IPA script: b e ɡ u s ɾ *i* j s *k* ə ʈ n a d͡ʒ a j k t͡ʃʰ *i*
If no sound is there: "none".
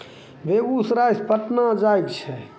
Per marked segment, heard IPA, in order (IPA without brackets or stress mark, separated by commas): a, p, ɛ